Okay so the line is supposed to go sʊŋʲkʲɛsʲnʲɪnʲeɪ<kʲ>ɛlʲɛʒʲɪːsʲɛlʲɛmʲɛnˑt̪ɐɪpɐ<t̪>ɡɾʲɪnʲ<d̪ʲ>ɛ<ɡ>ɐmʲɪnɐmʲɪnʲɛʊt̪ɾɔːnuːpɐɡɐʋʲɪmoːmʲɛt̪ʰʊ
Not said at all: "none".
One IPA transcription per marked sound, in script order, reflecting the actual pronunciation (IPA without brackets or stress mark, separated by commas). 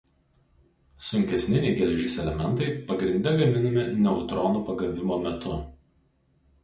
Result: ɡʲ, none, d̪ʲ, ɡ